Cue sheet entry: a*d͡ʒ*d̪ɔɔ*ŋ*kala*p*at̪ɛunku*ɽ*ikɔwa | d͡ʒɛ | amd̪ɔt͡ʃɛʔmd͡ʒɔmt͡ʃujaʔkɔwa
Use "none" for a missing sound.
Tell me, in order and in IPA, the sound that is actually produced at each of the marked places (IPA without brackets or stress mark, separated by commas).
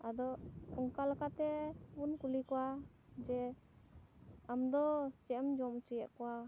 none, ŋ, k, l